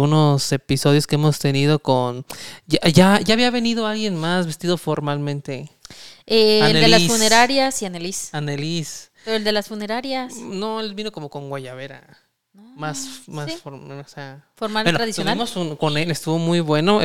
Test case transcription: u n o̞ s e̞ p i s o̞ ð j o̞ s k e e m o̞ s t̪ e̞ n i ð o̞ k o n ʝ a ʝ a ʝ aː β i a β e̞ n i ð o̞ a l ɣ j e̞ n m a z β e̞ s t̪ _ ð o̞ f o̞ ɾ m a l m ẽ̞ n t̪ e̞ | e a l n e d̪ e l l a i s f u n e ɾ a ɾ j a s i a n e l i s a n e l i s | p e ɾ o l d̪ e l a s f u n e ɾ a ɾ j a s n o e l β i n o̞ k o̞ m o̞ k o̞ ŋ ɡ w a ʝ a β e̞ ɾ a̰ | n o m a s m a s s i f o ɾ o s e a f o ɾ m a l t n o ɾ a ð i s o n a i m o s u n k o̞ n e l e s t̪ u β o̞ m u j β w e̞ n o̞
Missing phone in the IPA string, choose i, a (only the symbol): i